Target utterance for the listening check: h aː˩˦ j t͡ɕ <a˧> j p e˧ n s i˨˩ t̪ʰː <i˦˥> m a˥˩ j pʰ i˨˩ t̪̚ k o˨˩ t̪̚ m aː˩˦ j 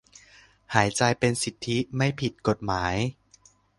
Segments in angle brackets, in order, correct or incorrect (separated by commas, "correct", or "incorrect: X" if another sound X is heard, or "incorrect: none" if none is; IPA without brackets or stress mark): correct, correct